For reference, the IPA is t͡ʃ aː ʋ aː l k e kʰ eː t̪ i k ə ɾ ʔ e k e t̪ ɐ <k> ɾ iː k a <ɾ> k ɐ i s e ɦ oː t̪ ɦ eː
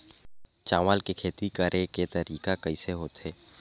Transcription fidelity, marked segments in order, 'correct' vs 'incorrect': incorrect, incorrect

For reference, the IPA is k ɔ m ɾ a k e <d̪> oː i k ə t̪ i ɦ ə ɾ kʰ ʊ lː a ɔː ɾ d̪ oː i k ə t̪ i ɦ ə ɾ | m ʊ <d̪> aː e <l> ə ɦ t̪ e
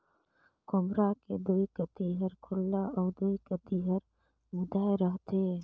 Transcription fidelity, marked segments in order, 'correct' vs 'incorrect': correct, correct, incorrect

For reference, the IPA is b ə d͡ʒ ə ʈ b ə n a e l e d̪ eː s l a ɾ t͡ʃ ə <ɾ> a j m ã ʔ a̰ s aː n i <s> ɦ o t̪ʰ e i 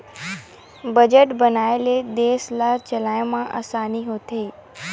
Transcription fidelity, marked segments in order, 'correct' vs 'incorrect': incorrect, incorrect

